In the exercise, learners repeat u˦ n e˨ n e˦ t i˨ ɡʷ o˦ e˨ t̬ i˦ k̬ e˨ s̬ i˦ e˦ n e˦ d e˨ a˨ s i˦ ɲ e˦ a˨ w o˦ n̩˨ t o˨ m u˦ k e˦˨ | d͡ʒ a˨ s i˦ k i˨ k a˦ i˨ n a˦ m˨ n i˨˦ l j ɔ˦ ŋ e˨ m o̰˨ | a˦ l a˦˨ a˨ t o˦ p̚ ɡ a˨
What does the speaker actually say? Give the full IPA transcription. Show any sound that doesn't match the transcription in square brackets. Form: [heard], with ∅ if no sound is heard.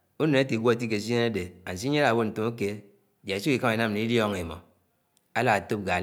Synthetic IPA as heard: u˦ n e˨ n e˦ t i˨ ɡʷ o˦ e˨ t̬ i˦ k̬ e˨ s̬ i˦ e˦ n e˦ d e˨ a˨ s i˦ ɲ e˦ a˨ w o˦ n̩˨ t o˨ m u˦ k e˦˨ | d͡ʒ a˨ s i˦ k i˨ k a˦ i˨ n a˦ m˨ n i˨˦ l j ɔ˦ ŋ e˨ m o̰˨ | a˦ l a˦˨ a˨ t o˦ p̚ ɡ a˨